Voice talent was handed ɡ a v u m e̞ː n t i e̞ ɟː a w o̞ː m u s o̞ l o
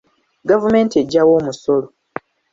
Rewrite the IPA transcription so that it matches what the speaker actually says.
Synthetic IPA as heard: ɡ a v u m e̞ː n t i e̞ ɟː a w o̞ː m u s o̞ l o